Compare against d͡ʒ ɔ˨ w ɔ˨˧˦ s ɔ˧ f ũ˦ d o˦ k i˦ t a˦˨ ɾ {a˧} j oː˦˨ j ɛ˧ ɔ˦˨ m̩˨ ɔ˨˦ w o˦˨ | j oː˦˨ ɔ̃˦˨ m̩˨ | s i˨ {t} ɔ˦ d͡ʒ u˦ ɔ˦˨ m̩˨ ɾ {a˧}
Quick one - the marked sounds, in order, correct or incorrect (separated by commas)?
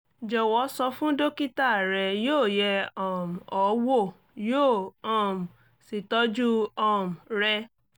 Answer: incorrect, correct, incorrect